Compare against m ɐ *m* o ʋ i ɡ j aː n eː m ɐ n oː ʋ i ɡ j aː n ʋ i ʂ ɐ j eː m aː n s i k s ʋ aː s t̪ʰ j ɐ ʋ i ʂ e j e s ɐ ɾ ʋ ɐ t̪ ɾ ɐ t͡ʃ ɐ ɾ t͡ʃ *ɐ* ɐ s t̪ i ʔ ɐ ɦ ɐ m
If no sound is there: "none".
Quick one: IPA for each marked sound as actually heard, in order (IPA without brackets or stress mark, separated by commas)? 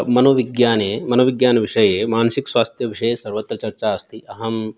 n, a